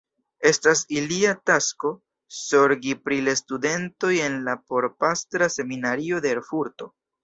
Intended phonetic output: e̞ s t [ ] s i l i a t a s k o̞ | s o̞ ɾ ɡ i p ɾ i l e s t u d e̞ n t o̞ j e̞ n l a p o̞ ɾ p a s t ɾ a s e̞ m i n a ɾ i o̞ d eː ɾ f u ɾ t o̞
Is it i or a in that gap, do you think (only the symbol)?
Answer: a